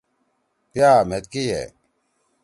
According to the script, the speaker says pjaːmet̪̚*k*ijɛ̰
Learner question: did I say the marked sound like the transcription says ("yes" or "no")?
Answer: yes